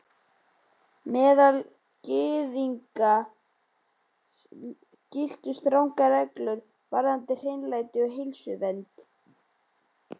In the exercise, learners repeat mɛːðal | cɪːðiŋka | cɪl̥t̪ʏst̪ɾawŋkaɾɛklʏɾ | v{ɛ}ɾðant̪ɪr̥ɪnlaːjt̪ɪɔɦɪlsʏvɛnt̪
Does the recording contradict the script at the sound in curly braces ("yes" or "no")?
yes